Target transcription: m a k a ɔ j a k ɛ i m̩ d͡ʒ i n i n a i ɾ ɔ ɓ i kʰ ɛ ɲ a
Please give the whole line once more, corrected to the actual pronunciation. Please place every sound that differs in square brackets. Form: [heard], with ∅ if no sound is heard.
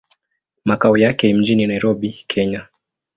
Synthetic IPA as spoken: m a k a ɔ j a k ɛ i m̩ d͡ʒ i n i n a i ɾ ɔ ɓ i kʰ ɛ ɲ a